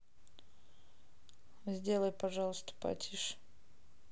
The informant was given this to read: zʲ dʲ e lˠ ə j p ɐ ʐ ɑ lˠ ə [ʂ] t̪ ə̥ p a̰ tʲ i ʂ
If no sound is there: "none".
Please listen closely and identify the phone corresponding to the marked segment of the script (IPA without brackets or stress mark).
s